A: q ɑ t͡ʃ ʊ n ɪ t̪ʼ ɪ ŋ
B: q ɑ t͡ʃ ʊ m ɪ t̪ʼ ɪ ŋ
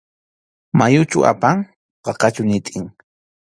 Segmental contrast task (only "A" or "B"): A